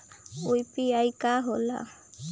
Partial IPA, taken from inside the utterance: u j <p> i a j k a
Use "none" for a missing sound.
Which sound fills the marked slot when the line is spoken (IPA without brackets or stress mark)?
p